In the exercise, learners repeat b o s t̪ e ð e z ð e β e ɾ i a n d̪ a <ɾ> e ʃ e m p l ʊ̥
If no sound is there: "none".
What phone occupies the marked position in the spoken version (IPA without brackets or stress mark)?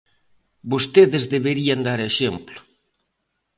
ɾ